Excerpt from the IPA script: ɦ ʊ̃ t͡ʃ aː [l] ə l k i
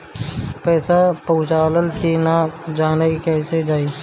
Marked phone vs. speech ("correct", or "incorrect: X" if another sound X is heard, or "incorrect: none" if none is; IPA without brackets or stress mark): correct